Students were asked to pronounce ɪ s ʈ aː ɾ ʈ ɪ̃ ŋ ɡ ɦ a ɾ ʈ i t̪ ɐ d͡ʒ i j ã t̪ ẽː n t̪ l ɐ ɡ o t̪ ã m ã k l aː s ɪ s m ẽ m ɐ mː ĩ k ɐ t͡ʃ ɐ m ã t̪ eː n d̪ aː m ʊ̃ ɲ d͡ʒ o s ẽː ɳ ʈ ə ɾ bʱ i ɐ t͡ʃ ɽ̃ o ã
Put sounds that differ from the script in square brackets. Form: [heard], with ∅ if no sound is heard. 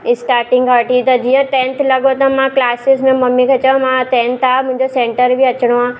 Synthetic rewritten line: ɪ s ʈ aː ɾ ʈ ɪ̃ ŋ ɡ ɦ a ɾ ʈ i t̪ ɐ d͡ʒ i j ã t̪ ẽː n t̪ l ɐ ɡ o t̪ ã m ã k l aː s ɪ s m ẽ m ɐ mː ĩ k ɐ t͡ʃ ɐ m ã t̪ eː n [t̪] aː m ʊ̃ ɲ d͡ʒ o s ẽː ɳ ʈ ə ɾ bʱ i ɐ t͡ʃ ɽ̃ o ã